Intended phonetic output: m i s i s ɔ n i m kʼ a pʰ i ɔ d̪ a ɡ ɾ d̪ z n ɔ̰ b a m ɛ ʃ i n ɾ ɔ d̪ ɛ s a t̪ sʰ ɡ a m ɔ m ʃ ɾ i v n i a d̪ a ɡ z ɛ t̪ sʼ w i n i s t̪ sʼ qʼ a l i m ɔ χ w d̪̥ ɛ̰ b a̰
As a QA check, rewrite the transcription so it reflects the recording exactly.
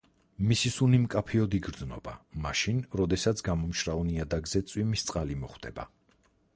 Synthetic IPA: m i s i s u n i m kʼ a pʰ i ɔ d̪ i ɡ ɾ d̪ z n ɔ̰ b a m a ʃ i n ɾ ɔ d̪ ɛ s a t̪ sʰ ɡ a m ɔ m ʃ ɾ a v n i a d̪ a ɡ z ɛ t̪ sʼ w i m i s t̪ sʼ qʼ a l i m ɔ χ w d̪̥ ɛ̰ b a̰